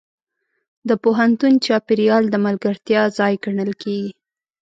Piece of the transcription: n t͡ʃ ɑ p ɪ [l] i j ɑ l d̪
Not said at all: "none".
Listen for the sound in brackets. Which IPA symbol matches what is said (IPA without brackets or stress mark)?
ɾ